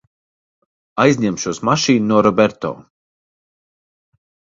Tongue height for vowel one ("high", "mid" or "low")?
low